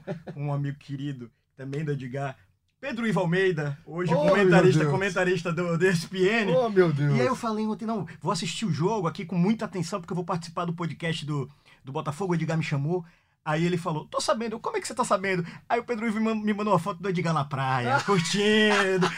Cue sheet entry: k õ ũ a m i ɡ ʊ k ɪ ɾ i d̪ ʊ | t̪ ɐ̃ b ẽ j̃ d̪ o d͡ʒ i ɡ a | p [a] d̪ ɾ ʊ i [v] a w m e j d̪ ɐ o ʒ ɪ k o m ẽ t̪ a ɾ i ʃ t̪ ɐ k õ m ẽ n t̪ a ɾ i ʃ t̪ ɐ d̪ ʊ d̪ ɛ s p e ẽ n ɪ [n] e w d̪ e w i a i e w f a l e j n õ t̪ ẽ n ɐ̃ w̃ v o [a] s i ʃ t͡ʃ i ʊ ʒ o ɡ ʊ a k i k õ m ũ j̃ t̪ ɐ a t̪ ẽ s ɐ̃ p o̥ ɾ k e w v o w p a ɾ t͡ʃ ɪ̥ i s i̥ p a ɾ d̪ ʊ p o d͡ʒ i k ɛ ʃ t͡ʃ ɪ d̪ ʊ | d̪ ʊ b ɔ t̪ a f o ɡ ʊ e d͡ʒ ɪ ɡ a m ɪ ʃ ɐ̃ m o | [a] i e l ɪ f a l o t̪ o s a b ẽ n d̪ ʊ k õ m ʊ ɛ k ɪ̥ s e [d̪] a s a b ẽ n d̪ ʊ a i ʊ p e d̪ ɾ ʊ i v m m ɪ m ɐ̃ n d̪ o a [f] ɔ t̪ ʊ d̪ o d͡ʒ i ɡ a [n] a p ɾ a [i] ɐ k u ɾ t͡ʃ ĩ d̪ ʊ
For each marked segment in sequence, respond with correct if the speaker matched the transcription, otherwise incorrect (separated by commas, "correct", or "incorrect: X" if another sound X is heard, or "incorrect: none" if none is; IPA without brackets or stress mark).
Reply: incorrect: e, correct, incorrect: m, correct, correct, incorrect: t̪, correct, correct, incorrect: j